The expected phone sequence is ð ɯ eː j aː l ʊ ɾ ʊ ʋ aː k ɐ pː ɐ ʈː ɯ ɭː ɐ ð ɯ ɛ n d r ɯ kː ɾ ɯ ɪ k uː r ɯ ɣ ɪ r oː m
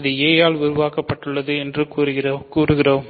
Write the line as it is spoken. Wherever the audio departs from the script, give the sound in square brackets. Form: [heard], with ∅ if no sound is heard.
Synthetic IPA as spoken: ð ɯ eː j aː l ʊ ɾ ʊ ʋ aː k ɐ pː ɐ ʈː ɯ ɭː ɐ ð ɯ ɛ n d r ɯ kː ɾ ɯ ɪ k uː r ɯ ɣ ɪ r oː m

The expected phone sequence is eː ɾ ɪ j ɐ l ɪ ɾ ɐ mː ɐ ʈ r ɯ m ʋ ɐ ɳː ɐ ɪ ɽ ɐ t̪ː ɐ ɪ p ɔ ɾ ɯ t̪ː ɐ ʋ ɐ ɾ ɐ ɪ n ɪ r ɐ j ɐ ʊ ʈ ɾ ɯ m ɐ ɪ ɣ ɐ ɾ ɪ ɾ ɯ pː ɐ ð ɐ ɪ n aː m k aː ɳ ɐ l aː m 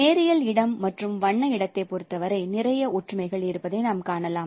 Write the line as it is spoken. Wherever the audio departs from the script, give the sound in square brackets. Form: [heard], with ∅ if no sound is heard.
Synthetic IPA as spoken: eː ɾ ɪ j ɐ l ɪ [ɽ] ɐ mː ɐ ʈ r ɯ m ʋ ɐ ɳː ɐ ɪ ɽ ɐ t̪ː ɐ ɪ p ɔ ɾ ɯ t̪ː ɐ ʋ ɐ ɾ ɐ ɪ n ɪ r ɐ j ɐ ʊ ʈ [r] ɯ m ɐ ɪ ɣ ɐ [ɭ] ɪ ɾ ɯ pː ɐ ð ɐ ɪ n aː m k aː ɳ ɐ l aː m

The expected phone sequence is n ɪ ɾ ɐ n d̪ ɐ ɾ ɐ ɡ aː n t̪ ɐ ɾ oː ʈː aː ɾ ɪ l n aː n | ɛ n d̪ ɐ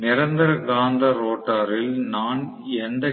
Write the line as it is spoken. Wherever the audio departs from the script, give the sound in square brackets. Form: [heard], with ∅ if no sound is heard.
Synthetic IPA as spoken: n ɪ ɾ ɐ n d̪ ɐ ɾ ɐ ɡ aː n [d̪] ɐ ɾ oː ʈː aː ɾ ɪ l n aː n | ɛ n d̪ ɐ

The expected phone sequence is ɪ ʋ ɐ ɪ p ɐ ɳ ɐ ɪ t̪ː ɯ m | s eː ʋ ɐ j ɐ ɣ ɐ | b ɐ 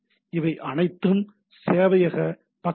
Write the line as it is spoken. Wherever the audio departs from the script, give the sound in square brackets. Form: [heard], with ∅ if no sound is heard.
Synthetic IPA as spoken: ɪ ʋ ɐ ɪ [ʔ] ɐ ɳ ɐ ɪ t̪ː ɯ m | s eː ʋ ɐ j ɐ ɣ ɐ | [p] ɐ

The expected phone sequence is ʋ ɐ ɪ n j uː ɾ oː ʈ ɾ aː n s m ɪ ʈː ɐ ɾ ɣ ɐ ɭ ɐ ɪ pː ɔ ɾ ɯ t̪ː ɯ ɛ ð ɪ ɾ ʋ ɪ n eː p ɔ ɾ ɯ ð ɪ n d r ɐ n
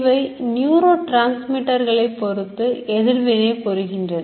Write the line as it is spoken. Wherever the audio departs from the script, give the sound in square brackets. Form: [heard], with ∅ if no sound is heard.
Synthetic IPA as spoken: ʋ ɐ ɪ n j uː ɾ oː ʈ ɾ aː n s m ɪ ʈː ɐ ɾ ɣ ɐ ɭ ɐ ɪ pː ɔ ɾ ɯ t̪ː ɯ ɛ ð ɪ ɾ ʋ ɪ n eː p ɔ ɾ ɯ [ɣ] ɪ n d r ɐ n

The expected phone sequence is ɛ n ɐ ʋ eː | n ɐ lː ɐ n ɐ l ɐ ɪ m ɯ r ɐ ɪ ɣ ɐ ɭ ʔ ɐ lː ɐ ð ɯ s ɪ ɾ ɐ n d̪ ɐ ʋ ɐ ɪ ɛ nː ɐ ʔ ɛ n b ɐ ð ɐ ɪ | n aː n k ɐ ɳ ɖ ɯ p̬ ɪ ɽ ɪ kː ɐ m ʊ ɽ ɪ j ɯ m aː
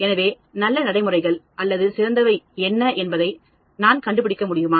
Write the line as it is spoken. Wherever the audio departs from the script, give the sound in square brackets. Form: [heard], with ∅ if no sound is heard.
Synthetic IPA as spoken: ɛ n ɐ ʋ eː | n ɐ lː ɐ n ɐ [ɽ] ɐ ɪ m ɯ r ɐ ɪ ɣ ɐ ɭ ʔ ɐ lː ɐ ð ɯ s ɪ ɾ ɐ n d̪ ɐ ʋ ɐ ɪ ɛ nː ɐ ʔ ɛ n b ɐ ð ɐ ɪ | n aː n k ɐ ɳ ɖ ɯ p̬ ɪ ɽ ɪ kː ɐ m ʊ ɽ ɪ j ɯ m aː

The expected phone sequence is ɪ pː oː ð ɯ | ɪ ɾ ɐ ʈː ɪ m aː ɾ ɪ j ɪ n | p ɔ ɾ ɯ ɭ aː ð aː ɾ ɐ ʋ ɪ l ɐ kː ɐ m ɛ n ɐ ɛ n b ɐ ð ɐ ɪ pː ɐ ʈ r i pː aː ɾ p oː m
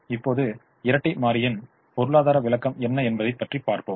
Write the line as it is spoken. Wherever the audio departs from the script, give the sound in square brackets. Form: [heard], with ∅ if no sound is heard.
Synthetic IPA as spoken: ɪ pː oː ð ɯ | ɪ ɾ ɐ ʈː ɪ m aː ɾ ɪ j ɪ n | p ɔ ɾ ɯ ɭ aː ð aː ɾ ɐ ʋ ɪ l ɐ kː ɐ m ɛ [nː] ɐ ɛ n b ɐ ð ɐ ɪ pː ɐ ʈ r i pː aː ɾ p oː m

